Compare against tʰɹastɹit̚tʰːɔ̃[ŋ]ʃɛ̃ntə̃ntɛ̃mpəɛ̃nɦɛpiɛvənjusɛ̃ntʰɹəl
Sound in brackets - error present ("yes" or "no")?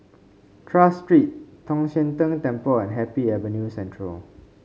no